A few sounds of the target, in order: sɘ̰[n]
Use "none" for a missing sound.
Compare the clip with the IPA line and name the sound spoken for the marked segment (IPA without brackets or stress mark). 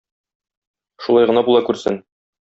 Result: n